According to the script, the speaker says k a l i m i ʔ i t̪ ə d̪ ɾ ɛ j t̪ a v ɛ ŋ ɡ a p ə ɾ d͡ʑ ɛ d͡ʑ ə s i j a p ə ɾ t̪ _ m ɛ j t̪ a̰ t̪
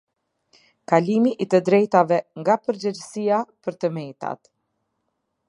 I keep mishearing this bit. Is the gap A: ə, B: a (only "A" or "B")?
A